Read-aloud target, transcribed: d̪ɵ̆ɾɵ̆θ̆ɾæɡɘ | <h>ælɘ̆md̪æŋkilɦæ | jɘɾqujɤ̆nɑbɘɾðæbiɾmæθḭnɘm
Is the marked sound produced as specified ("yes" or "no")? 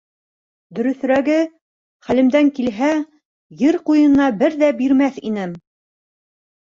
no